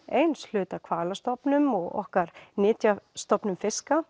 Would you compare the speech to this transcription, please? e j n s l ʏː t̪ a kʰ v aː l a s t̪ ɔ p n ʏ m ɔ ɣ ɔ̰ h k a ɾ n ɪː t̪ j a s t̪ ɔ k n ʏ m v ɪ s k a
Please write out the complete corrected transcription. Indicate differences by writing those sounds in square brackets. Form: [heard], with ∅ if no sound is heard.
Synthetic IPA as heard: e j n s l ʏː t̪ a kʰ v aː l a s t̪ ɔ p n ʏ m ɔ ɣ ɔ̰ h k a ɾ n ɪː t̪ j a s t̪ ɔ [p] n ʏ m [f] ɪ s k a